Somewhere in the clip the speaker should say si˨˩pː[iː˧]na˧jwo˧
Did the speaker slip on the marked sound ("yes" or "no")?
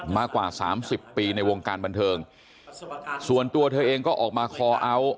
no